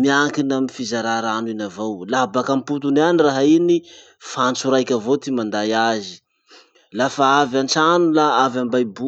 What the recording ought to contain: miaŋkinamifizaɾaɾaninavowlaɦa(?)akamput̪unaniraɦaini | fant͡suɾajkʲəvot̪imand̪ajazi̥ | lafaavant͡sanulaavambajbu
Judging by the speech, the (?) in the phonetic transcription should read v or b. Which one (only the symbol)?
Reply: b